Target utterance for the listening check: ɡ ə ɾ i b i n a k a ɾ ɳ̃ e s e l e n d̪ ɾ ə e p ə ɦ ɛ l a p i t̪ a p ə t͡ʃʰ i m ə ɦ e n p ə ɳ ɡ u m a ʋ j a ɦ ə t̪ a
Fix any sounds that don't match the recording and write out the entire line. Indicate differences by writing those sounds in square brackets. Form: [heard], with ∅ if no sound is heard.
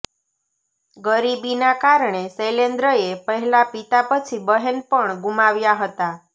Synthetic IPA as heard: ɡ ə ɾ i b i n a k a ɾ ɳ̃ e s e l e n d̪ ɾ ə e p ə ɦ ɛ l a p i t̪ a p ə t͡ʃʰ i [b] ə ɦ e n p ə ɳ ɡ u m a ʋ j a ɦ ə t̪ a